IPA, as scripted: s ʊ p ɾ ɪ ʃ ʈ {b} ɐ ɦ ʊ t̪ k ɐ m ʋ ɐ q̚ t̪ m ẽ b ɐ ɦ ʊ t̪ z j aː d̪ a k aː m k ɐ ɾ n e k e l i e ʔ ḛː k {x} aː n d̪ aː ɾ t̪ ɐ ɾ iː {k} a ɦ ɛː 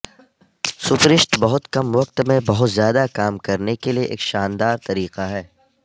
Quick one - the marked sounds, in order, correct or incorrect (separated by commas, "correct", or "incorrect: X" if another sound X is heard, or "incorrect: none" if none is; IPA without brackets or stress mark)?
correct, incorrect: ʃ, incorrect: q